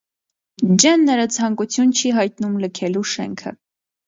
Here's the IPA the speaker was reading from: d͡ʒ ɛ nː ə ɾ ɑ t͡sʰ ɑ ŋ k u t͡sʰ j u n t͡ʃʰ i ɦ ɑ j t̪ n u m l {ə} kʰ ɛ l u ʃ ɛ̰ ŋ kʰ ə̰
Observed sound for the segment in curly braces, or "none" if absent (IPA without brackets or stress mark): ə